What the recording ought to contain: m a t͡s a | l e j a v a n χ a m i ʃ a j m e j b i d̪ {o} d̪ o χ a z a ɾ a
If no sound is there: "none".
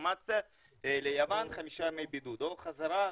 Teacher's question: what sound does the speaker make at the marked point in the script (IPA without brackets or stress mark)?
u